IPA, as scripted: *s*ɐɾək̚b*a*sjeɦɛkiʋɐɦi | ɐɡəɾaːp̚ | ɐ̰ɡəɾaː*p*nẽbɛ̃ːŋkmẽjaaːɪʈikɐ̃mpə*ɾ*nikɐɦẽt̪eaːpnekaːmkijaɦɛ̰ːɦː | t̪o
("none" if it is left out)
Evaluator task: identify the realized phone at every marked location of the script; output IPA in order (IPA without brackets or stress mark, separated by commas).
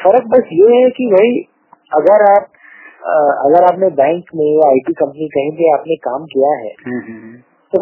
f, ɐ, p, none